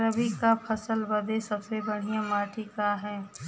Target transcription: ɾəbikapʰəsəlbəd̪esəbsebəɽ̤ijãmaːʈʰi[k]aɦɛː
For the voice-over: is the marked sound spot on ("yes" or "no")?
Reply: yes